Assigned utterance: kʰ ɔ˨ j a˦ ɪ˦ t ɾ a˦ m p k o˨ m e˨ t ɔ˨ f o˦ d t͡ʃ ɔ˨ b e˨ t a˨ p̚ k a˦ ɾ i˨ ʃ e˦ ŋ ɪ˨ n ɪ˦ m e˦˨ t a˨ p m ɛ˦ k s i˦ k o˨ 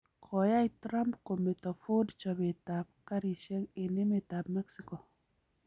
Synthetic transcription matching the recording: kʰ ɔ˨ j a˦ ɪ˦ t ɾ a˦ m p k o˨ m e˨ t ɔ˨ f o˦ d t͡ʃ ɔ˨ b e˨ t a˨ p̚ k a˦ ɾ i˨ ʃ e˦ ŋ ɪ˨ n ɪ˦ m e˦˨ t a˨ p m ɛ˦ k s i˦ k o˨